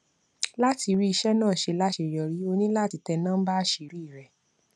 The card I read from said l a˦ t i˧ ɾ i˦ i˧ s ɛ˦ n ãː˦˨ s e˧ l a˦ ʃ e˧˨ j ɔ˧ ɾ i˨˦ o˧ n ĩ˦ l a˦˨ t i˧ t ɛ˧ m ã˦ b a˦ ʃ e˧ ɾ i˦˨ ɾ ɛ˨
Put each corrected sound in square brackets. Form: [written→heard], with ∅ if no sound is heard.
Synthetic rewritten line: l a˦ t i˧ ɾ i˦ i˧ [s→ʃ] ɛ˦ n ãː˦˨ [s→ʃ] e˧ l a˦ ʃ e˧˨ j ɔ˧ ɾ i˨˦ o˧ n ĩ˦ l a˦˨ t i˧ t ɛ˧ [m→n] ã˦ b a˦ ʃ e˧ ɾ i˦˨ ɾ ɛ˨